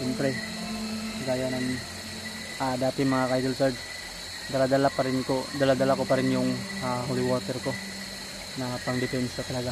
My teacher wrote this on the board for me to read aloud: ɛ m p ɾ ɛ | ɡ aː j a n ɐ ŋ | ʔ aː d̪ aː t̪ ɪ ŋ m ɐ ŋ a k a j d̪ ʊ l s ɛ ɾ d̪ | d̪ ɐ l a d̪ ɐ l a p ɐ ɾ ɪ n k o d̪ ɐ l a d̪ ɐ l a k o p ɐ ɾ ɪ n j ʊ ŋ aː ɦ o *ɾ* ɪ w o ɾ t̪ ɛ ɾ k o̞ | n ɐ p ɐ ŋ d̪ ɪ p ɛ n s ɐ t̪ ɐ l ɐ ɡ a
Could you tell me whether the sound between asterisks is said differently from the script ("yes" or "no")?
yes